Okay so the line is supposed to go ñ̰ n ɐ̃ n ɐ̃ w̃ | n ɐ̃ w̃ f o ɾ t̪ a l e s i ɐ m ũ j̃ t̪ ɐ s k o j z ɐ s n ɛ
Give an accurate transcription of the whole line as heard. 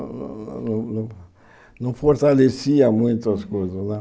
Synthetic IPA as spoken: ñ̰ n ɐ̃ n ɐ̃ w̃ | n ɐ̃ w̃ f o ɾ t̪ a l e s i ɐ m ũ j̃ t̪ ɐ s k o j z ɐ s n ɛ